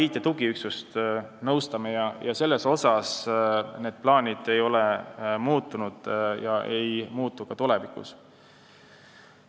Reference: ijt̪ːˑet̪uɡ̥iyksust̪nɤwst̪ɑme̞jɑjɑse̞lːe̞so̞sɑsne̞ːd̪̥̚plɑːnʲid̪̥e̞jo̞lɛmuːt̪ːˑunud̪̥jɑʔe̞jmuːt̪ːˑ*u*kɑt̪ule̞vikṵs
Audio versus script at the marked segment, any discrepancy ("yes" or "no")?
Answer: no